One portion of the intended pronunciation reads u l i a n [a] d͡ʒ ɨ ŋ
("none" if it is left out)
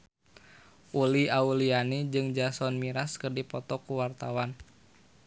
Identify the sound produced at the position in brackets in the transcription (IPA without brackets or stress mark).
i